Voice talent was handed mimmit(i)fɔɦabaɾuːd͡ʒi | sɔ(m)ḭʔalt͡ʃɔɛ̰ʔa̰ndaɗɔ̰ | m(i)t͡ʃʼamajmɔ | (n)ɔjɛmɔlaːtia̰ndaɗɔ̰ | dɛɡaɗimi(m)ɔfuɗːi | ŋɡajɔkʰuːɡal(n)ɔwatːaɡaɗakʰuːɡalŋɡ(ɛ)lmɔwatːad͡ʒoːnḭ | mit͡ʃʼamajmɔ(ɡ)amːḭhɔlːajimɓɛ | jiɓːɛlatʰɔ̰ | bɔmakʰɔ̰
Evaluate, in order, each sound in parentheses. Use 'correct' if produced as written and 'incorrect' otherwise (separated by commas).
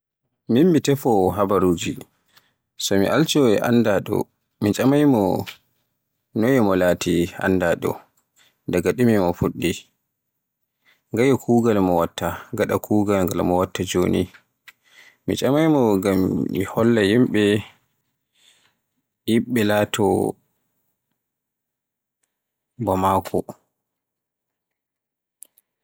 incorrect, correct, correct, correct, correct, incorrect, incorrect, correct